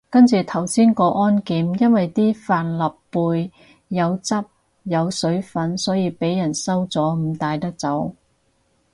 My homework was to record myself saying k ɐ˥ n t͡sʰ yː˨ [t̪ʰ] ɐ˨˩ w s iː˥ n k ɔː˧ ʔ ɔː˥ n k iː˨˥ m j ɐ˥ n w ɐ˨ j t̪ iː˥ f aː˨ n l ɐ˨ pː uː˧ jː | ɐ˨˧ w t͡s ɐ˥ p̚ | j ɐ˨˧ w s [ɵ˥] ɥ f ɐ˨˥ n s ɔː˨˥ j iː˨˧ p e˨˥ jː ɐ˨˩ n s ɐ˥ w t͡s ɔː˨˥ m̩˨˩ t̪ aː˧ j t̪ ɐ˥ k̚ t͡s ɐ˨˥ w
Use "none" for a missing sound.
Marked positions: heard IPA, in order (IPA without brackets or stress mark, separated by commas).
t̪ʰ, ɵ˨˥